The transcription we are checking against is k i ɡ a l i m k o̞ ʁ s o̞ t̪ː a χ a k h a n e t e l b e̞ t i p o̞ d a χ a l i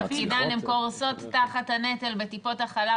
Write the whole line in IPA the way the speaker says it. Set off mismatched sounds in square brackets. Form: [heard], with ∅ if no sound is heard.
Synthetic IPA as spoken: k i [d] a l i m k o̞ ʁ s o̞ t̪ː a χ a [t] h a n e t e l b e̞ t i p o̞ [t] a χ a l [a]